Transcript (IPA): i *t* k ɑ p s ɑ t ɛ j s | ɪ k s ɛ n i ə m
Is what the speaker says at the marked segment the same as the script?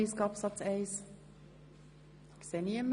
no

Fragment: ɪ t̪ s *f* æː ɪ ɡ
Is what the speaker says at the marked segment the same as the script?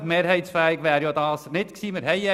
yes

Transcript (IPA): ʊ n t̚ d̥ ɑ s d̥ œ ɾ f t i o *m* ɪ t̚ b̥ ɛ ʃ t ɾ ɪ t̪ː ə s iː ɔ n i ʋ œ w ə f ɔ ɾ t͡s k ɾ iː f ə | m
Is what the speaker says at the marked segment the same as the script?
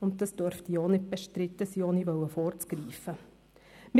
no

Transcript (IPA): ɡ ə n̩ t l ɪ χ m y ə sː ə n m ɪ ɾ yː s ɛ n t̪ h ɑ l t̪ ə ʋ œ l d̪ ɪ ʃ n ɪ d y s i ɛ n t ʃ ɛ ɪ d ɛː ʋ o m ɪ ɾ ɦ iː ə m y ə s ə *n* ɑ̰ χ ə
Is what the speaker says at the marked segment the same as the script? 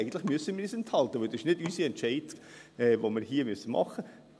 no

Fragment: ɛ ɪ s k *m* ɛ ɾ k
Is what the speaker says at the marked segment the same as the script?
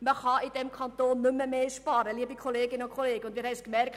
yes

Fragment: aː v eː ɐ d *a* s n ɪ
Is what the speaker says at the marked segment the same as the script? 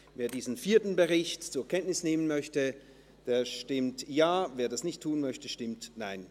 yes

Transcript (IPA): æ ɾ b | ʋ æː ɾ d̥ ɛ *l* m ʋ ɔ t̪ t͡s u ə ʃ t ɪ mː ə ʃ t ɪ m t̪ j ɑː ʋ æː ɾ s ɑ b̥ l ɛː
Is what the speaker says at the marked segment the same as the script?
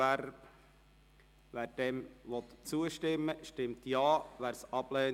no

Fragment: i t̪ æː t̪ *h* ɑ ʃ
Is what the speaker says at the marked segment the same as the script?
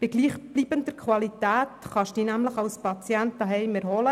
no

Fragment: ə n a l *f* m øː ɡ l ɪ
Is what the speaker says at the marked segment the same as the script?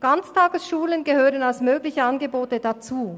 no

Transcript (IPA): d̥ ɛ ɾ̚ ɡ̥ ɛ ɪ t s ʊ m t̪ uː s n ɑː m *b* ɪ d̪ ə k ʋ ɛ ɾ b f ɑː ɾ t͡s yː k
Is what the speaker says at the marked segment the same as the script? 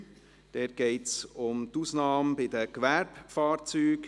yes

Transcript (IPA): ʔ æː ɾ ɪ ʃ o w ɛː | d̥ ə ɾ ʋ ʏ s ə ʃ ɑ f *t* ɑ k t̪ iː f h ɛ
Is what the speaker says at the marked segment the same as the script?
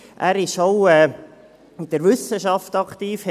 yes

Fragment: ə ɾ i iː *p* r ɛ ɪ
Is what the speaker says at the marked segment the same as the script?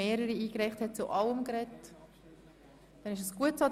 no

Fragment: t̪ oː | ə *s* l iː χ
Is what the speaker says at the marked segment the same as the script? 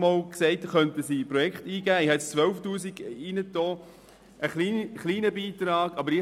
no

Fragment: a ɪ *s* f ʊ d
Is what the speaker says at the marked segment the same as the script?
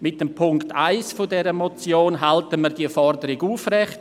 yes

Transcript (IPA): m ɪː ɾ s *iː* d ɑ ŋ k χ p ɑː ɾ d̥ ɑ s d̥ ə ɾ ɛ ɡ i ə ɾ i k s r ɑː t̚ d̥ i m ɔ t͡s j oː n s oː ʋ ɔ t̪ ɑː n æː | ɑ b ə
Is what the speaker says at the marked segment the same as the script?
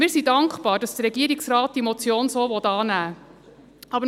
no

